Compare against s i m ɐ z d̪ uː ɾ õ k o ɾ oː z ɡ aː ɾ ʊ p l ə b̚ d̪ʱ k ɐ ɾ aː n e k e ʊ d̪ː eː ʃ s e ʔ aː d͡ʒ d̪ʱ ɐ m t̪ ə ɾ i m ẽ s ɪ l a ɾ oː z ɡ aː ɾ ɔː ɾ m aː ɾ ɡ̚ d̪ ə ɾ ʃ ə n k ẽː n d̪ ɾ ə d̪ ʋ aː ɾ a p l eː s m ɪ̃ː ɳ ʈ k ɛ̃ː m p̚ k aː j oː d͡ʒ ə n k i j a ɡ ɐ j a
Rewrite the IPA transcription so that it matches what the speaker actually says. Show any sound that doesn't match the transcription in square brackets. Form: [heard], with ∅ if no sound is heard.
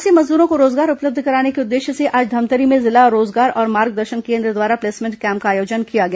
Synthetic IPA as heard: s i m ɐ z d̪ uː ɾ õ k o ɾ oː z ɡ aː ɾ ʊ p l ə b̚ d̪ʱ k ɐ ɾ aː n e k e ʊ d̪ː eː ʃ s e ʔ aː d͡ʒ d̪ʱ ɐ m t̪ ə ɾ i m ẽ [z] ɪ l a ɾ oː z ɡ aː ɾ ɔː ɾ m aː ɾ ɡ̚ d̪ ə ɾ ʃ ə n k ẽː n d̪ ɾ ə d̪ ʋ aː ɾ a p l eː s m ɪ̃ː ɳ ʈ k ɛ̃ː m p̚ k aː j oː d͡ʒ ə n k i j a ɡ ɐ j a